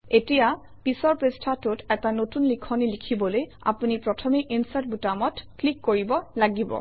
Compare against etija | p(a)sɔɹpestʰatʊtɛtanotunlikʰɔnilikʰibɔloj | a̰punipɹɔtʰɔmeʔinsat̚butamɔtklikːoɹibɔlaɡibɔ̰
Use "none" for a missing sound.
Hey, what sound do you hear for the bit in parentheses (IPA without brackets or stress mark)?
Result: i